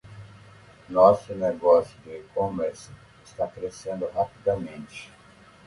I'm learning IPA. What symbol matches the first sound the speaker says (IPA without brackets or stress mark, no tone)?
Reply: n